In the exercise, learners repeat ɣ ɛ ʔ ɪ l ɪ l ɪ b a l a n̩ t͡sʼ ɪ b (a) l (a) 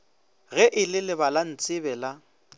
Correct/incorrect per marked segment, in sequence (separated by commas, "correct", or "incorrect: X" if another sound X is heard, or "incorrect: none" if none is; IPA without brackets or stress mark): incorrect: ɛ, correct